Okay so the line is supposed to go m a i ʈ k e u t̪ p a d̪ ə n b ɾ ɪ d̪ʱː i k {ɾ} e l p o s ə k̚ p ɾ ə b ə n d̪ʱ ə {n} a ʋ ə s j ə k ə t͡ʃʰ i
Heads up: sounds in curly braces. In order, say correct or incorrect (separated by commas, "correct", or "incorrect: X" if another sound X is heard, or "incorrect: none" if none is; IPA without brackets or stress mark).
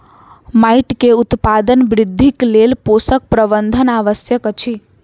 incorrect: l, correct